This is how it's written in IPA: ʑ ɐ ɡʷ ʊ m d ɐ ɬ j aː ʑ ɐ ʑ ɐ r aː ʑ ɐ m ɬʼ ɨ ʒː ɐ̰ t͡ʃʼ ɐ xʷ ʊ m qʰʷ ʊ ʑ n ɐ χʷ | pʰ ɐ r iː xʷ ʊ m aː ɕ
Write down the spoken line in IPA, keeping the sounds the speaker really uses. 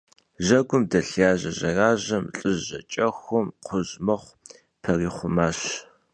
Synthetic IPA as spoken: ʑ ɐ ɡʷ ʊ m d ɐ ɬ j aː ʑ ɐ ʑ ɐ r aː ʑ ɐ m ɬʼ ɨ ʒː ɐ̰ t͡ʃʼ ɐ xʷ ʊ m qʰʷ ʊ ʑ m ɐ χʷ | pʰ ɐ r iː χʷ ʊ m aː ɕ